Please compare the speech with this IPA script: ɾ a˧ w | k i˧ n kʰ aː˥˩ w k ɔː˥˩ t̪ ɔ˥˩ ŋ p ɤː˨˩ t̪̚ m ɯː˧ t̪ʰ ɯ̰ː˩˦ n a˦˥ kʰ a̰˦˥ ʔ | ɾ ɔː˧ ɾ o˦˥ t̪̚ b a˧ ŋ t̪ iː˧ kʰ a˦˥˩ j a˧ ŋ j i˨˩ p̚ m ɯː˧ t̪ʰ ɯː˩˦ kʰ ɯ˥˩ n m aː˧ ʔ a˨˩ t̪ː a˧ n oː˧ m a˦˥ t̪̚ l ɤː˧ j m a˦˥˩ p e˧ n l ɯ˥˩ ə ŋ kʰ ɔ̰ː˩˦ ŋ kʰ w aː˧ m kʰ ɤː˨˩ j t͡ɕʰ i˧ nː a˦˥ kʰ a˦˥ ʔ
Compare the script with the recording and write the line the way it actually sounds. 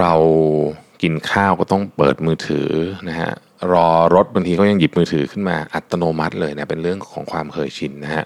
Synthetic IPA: ɾ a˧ w | k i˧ n kʰ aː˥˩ w k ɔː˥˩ t̪ ɔ˥˩ ŋ p ɤː˨˩ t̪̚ m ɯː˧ t̪ʰ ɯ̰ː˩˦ n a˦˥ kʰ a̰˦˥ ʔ | ɾ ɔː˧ ɾ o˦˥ t̪̚ b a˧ ŋ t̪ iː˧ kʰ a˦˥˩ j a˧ ŋ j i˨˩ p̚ m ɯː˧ t̪ʰ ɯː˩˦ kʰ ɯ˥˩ n m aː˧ ʔ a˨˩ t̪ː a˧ n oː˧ m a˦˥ t̪̚ l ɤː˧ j n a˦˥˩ p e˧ n ɾ ɯ˥˩ ə ŋ kʰ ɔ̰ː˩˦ ŋ kʰ w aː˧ m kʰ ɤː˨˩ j t͡ɕʰ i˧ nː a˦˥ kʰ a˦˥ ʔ